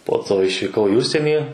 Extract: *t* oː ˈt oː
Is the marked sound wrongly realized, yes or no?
yes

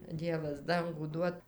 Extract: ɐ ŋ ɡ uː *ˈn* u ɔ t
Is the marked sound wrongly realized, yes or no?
yes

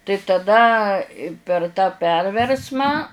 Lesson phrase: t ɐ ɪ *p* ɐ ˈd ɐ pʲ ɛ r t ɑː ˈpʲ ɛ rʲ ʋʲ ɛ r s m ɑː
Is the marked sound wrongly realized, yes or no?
yes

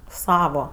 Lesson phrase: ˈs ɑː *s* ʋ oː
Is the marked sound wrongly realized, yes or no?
yes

